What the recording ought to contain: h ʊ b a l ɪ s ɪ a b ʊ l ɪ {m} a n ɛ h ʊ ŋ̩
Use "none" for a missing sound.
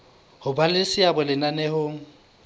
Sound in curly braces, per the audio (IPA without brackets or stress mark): n